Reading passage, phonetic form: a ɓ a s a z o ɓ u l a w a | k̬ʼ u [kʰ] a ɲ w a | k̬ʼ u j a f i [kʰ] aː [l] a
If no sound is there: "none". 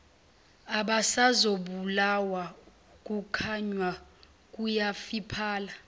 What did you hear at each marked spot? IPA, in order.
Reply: kʰ, pʰ, l

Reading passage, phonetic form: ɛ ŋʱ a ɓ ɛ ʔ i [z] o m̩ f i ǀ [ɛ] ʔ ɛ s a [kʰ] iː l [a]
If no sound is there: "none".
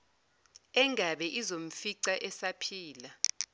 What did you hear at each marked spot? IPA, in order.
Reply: z, a, pʰ, a

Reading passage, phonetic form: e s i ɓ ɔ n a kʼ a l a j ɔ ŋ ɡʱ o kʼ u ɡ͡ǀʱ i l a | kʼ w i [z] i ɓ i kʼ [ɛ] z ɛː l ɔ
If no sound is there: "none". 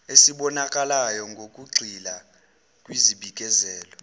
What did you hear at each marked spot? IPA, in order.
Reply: z, ɛ

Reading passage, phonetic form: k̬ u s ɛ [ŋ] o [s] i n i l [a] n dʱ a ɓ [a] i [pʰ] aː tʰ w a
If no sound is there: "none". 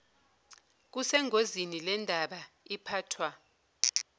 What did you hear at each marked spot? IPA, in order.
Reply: ŋ, z, ɛ, a, pʰ

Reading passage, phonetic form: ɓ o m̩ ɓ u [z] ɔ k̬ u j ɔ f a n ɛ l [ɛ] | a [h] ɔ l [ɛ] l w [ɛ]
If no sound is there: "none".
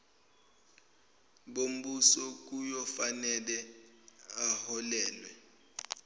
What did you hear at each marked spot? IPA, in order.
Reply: s, ɛ, h, ɛː, ɛ

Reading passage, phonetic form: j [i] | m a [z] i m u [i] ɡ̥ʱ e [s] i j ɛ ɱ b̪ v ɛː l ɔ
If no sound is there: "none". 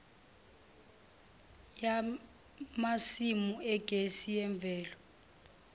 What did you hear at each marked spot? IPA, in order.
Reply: a, s, ɛ, s

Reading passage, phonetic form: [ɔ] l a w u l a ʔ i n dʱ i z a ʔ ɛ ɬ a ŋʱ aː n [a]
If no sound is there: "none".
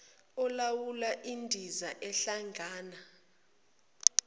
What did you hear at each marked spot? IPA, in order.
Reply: ɔ, a

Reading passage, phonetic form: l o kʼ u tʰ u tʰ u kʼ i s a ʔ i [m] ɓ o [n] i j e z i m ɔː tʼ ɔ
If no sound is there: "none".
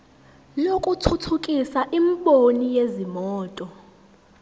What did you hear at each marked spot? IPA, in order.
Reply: m, n

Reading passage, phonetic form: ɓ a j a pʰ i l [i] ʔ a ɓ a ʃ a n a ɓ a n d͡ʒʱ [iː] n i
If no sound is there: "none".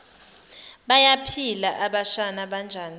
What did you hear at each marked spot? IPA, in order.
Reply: a, aː

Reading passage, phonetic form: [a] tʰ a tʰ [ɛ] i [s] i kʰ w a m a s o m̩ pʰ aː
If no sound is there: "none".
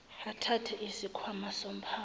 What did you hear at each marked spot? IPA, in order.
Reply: a, ɛ, s

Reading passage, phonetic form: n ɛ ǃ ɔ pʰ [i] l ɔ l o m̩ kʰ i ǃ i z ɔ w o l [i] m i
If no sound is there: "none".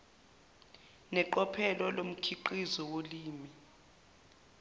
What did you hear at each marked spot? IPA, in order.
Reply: ɛ, iː

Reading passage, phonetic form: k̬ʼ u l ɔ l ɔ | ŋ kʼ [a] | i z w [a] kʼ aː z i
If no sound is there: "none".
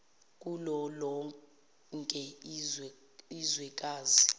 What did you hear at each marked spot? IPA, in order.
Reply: ɛ, ɛ

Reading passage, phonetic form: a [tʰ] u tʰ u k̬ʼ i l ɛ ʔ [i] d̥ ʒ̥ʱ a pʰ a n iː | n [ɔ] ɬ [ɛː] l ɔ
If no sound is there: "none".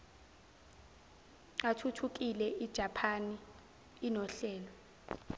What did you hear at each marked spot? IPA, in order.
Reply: tʰ, i, ɔ, ɛː

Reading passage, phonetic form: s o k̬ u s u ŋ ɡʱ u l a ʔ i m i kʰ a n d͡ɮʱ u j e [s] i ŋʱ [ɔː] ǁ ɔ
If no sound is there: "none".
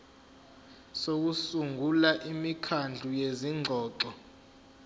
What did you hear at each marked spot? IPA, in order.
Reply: z, ɔː

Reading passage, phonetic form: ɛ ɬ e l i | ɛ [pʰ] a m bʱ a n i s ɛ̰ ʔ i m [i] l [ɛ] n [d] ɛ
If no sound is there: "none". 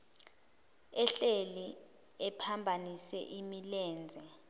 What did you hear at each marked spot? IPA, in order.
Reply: pʰ, i, ɛː, d͡zʱ

